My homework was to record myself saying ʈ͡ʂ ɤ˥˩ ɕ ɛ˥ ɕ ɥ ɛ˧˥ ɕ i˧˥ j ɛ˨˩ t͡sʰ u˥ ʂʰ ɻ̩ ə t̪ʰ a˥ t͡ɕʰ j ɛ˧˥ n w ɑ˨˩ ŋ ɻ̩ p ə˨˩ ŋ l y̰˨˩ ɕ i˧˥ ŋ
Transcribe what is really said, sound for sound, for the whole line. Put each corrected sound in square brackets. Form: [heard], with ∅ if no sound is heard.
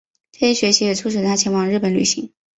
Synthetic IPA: ʈ͡ʂ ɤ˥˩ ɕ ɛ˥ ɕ ɥ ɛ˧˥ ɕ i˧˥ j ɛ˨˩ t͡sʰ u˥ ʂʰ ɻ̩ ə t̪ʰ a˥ t͡ɕʰ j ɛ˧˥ n w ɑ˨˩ ŋ ɻ̩ p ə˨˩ [n] l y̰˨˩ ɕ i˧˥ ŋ